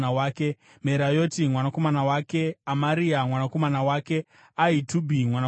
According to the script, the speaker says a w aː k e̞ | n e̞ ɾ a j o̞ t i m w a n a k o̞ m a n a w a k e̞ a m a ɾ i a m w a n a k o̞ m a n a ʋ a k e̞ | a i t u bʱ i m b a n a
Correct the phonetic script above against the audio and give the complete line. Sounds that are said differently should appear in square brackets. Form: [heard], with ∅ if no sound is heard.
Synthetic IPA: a w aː k e̞ | [m] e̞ ɾ a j o̞ t i m w a n a k o̞ m a n a w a k e̞ a m a ɾ i a m w a n a k o̞ m a n a [w] a k e̞ | a i t u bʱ i m [w] a n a